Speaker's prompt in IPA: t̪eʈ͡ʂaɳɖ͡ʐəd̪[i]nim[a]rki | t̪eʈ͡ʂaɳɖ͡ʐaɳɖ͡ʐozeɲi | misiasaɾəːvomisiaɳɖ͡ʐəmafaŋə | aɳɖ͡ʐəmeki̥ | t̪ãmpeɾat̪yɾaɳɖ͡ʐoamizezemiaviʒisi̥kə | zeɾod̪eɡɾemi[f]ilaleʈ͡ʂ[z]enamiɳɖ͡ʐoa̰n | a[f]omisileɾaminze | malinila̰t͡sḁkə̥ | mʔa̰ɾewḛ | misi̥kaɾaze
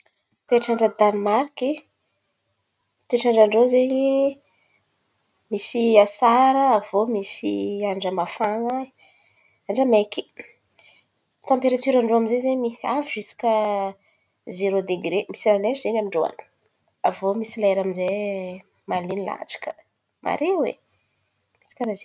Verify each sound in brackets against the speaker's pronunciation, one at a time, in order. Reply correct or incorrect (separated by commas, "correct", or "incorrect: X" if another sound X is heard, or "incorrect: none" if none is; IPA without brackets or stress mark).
incorrect: a, correct, incorrect: s, correct, incorrect: v